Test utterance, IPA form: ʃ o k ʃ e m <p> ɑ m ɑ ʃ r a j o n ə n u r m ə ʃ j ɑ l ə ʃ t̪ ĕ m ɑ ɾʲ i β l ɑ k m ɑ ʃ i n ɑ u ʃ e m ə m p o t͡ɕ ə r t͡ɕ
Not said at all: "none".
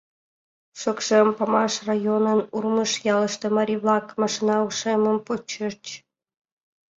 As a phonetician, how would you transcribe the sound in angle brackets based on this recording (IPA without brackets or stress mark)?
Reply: p